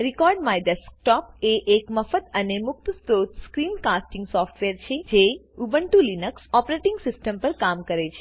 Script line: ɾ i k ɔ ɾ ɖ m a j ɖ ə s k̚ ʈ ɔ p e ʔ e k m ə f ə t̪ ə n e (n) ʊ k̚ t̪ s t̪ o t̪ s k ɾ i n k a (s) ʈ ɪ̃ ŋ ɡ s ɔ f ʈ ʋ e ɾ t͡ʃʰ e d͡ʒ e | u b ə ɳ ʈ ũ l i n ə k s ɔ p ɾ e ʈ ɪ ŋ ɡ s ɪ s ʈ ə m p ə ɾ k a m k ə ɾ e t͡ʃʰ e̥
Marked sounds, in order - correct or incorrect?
incorrect: m, correct

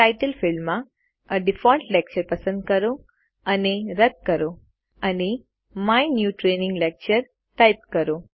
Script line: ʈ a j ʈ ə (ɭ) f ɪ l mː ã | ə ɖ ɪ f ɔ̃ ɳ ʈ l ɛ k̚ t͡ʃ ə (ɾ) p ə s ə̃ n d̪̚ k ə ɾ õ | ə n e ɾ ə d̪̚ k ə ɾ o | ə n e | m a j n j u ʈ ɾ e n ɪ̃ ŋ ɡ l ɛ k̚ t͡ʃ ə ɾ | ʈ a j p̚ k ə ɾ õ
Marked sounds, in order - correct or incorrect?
incorrect: l, correct

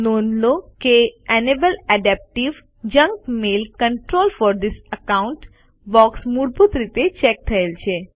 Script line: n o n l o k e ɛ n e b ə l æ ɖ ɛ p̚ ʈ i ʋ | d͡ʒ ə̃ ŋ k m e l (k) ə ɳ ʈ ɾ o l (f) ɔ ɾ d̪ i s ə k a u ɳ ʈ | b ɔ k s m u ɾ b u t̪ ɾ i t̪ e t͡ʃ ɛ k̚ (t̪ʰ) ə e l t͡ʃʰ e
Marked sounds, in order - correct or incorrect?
correct, correct, correct

